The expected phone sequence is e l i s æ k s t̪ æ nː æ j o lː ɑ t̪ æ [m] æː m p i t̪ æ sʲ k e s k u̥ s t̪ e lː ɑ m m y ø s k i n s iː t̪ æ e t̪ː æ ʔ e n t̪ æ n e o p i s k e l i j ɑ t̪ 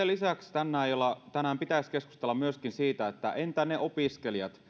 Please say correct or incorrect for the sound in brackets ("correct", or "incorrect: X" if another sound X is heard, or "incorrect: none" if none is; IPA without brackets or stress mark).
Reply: incorrect: n